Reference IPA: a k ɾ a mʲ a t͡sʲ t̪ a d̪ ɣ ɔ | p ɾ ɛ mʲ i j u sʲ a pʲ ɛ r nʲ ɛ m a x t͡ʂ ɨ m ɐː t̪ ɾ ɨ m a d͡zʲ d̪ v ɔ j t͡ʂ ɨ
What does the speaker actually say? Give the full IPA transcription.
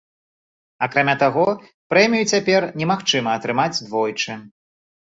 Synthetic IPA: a k ɾ a mʲ a t̪ a ɣ ɔ | p ɾ ɛ mʲ i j u t͡sʲ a pʲ ɛ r nʲ ɛ m a x t͡ʂ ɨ m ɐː t̪ ɾ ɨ m a d͡zʲ d̪ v ɔ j t͡ʂ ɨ